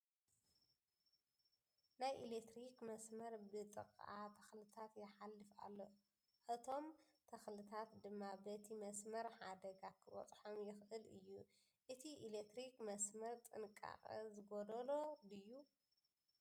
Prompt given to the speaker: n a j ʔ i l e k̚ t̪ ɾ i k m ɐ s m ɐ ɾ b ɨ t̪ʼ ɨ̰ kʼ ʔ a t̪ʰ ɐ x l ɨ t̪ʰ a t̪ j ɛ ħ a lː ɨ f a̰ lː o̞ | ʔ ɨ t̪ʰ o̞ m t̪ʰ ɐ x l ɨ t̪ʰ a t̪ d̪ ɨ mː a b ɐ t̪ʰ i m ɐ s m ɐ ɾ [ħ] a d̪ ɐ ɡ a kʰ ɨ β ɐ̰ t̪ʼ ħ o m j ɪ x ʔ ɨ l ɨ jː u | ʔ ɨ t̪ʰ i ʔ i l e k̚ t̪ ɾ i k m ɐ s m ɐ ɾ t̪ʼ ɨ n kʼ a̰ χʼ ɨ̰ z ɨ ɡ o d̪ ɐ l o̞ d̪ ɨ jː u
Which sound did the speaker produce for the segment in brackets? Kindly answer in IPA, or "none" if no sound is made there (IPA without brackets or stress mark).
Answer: ħ